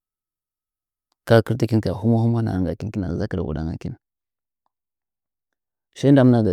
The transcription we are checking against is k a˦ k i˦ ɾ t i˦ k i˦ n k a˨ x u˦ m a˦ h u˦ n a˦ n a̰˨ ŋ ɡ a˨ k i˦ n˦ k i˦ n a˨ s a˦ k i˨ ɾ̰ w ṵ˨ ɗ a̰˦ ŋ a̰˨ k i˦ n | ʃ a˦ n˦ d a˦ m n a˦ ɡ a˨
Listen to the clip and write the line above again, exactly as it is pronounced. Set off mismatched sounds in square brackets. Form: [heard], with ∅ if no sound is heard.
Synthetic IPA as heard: k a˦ k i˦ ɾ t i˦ k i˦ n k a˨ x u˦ m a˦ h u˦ [m] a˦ n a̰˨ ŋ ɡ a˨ k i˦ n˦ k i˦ n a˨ [z] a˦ k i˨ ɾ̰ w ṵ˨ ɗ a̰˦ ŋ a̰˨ k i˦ n | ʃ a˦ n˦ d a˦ m n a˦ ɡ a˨